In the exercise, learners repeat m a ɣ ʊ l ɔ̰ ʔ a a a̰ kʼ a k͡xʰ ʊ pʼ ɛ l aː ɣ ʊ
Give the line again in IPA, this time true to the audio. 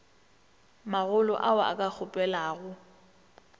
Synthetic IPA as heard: m a ɣ ʊ l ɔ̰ ʔ a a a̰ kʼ a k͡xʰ ʊ pʼ ɛ l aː ɣ ʊ

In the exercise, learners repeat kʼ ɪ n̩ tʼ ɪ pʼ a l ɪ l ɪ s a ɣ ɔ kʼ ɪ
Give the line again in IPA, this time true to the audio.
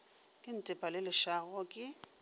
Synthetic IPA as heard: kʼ ɪ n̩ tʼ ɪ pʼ a l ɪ l ɪ ʃ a ɣ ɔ kʼ ɪ

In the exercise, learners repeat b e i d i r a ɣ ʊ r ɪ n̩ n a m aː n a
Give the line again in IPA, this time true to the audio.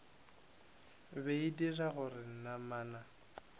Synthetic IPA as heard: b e i d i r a ɣ ʊ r ɪ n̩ n a m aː n a

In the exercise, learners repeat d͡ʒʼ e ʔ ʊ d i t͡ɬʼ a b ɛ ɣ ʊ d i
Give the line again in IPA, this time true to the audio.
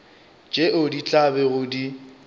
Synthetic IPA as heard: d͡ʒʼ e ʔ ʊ d i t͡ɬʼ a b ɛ ɣ ʊ d i

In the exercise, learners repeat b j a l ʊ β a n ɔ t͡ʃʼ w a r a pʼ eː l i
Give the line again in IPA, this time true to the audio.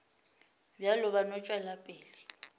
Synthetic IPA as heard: b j a l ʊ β a n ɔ t͡ʃʼ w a l a pʼ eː l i

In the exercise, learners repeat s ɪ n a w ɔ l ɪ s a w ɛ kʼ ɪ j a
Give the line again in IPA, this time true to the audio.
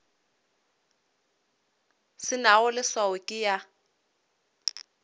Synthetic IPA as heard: s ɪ n a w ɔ l ɪ s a w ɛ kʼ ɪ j a

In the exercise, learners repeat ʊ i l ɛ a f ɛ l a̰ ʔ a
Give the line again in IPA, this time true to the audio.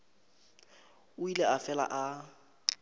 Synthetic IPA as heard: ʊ i l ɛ a f ɛ l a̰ ʔ a

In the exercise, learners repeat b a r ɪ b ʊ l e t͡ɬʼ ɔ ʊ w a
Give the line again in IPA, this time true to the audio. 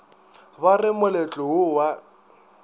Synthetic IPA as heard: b a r ɪ m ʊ l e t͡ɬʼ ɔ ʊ w a

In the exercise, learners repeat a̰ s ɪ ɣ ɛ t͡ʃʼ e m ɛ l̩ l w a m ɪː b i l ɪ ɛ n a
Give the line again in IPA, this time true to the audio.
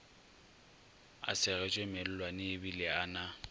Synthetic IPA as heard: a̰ s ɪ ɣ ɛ t͡ʃʼ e m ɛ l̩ l w a n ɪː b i l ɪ a n a

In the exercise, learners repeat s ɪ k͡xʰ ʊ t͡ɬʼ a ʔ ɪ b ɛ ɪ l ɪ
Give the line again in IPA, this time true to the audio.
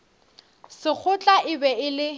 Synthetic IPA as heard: s ɪ k͡xʰ ʊ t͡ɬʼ a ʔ ɪ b ɛ ɪ l ɪ

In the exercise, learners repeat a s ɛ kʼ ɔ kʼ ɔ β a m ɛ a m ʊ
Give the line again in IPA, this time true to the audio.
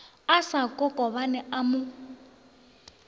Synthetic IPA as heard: a s a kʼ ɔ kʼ ɔ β a n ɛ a m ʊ

